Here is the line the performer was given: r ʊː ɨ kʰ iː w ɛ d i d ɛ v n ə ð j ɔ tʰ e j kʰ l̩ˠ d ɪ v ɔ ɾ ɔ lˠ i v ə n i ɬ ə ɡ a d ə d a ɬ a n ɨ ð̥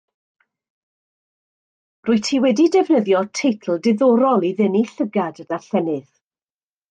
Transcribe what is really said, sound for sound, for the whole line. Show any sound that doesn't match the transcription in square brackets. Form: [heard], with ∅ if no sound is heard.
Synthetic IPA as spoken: r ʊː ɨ [tʰ] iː w ɛ d i d ɛ v n ə ð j ɔ tʰ e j [tʰ] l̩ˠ d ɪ [ð] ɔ ɾ ɔ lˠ i [ð] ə n i ɬ ə ɡ a d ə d a ɬ [ɛ] n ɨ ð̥